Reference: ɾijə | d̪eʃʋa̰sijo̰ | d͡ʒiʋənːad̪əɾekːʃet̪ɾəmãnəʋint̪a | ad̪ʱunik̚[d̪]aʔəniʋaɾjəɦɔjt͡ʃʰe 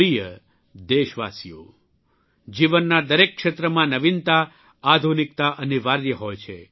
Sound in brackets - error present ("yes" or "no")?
yes